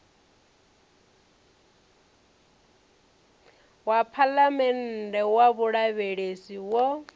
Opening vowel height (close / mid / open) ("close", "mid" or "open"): open